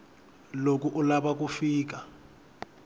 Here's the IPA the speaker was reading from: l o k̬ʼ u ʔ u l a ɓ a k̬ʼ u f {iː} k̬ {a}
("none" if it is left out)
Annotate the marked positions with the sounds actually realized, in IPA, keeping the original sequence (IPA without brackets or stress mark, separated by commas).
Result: iː, a